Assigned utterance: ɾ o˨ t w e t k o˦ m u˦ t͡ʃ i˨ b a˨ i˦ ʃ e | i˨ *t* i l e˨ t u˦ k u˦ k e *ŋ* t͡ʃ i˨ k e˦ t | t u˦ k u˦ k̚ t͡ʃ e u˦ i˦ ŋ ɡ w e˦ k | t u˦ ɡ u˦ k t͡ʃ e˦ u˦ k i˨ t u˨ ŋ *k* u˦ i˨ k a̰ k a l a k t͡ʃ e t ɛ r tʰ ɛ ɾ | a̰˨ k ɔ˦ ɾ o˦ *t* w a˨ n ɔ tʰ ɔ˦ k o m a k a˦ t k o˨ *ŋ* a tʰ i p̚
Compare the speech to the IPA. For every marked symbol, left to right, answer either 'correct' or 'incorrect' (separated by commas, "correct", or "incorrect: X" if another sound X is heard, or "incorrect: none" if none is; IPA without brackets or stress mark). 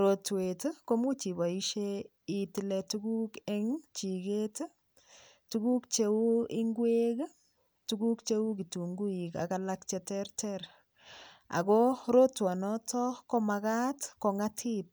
correct, correct, incorrect: ɡ, correct, correct